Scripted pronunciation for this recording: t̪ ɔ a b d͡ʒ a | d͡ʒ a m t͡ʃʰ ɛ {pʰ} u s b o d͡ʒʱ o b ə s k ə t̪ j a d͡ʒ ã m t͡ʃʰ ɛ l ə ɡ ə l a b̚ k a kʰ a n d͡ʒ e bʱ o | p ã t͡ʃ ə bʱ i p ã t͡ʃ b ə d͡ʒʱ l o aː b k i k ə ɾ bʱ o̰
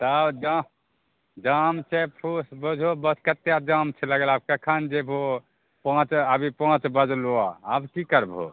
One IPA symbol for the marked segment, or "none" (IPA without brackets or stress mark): pʰ